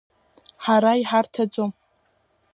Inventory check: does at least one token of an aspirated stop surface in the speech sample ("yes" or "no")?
yes